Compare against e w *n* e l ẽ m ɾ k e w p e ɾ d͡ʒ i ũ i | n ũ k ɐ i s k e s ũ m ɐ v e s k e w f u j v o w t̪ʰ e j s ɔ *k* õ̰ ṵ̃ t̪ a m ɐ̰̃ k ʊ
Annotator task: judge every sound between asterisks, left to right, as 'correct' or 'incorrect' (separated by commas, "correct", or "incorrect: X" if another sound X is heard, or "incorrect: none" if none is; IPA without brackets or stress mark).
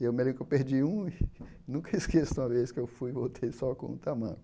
incorrect: m, correct